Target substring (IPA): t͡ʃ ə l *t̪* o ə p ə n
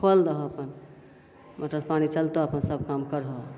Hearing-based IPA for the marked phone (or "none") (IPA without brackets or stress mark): t̪